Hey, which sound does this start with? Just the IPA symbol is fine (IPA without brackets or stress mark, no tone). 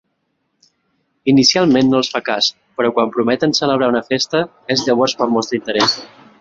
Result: i